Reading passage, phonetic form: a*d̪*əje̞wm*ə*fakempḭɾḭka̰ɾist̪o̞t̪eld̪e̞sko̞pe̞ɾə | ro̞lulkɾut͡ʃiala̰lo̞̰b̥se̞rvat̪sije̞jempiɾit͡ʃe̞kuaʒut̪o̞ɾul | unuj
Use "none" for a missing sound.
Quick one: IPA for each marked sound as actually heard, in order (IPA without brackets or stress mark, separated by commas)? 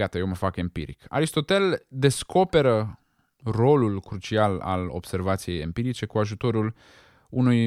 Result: t̪, ə